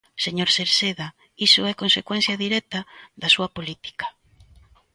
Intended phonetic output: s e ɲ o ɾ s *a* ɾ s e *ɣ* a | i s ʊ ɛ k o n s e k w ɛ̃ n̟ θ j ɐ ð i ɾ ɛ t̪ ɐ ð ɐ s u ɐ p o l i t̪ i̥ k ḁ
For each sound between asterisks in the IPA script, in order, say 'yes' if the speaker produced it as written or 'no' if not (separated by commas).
no, no